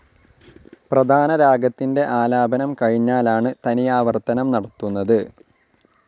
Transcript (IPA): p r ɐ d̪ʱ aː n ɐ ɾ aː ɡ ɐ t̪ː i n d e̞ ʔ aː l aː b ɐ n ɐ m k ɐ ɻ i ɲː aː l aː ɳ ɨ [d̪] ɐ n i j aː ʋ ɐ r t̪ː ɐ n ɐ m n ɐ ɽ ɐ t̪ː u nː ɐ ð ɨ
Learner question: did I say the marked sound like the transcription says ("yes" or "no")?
no